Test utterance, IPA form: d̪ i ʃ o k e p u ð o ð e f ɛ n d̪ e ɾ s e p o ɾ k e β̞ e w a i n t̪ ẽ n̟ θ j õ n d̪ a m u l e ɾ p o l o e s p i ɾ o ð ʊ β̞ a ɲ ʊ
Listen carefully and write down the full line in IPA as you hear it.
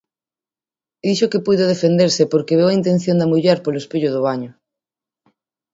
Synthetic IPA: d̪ i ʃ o k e p u ð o ð e f e n d̪ e ɾ s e p o ɾ k e β̞ e w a i n t̪ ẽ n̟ θ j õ n d̪ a m u ʎ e ɾ p o l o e s p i ʎ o ð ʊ β̞ a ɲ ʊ